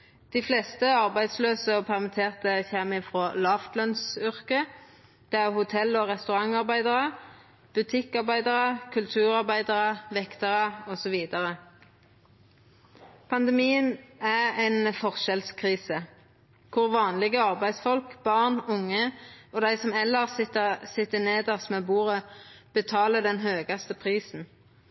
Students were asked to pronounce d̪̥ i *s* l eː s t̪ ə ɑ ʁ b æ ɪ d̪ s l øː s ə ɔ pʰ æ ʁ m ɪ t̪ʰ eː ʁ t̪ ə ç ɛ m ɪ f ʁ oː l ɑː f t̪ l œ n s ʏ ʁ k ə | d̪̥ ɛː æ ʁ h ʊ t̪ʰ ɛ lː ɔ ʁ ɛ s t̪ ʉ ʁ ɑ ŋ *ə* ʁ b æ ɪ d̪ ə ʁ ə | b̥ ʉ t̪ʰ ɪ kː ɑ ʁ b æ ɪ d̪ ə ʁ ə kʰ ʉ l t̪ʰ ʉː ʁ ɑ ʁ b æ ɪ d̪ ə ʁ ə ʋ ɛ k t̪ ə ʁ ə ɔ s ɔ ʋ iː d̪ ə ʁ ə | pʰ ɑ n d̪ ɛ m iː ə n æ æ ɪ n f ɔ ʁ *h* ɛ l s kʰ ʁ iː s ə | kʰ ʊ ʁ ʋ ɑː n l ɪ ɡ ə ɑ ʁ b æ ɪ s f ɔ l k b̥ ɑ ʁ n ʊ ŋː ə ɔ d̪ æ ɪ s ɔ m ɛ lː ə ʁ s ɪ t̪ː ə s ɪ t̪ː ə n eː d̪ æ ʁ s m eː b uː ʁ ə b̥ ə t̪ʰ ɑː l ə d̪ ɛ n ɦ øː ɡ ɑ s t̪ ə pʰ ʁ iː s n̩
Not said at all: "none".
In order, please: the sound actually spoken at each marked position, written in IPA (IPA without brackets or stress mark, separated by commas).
f, ɑ, ʃ